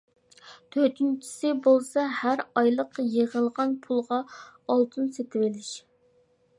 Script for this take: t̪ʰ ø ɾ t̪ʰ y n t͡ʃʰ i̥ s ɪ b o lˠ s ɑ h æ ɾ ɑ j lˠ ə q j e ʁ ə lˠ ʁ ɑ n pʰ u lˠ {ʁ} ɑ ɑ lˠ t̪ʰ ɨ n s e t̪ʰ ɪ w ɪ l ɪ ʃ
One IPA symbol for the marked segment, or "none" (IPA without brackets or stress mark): ʁ